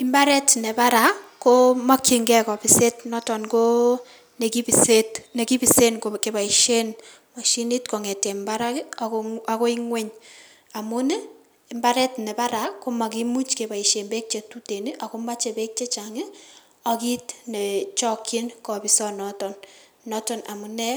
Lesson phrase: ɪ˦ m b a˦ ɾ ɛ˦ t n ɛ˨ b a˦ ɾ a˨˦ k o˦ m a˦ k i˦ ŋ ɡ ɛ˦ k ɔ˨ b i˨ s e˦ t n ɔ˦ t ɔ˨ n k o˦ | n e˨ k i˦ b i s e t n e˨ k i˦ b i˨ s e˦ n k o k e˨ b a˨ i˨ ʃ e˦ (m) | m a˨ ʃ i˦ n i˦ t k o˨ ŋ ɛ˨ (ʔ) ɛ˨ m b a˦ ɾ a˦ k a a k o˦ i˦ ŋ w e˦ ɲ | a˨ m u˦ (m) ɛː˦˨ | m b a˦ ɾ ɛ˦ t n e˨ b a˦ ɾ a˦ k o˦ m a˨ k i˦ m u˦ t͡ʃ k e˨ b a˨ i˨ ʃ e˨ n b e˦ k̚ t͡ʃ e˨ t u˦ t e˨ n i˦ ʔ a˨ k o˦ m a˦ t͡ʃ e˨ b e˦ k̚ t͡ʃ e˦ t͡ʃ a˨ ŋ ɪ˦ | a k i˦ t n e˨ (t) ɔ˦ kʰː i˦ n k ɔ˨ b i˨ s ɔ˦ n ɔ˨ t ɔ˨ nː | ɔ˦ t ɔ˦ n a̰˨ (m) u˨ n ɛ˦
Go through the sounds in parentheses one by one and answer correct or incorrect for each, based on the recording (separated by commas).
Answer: incorrect, incorrect, incorrect, incorrect, correct